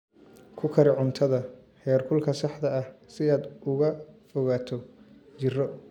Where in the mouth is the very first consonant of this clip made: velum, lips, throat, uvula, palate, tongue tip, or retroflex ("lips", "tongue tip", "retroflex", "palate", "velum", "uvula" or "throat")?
velum